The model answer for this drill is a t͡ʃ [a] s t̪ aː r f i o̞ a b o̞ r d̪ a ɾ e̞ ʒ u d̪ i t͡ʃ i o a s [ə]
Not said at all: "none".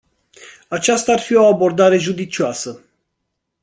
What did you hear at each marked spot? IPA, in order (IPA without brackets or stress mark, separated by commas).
a, ə